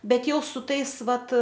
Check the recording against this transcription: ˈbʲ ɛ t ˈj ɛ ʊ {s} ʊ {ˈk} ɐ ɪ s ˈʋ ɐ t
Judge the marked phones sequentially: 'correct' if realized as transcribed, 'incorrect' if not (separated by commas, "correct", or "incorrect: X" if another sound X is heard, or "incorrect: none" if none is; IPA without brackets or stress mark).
correct, incorrect: t